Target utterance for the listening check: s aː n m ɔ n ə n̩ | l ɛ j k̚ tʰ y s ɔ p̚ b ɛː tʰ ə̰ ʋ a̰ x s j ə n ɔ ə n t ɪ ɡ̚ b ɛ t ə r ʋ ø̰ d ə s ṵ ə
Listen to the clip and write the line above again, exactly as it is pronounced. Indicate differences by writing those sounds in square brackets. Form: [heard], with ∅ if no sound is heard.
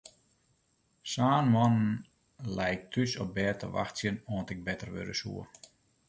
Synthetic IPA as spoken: s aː n m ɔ n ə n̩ | l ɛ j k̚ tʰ y s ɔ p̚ b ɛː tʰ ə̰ ʋ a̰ x s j ə n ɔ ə n t ɪ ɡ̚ b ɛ t ə r ʋ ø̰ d ə s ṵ ə